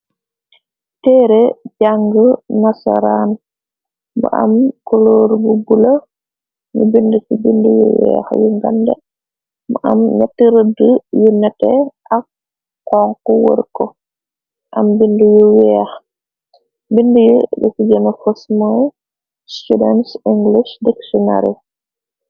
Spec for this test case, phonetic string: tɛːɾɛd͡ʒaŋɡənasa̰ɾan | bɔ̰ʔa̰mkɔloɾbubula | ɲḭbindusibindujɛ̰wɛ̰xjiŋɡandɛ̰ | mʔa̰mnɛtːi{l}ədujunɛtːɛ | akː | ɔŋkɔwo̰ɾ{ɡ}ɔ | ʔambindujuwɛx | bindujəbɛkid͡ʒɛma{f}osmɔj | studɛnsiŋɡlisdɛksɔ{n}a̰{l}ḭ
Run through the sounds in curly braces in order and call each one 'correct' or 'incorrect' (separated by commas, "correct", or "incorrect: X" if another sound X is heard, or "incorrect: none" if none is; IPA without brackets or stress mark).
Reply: incorrect: ɾ, incorrect: k, correct, correct, incorrect: ɾ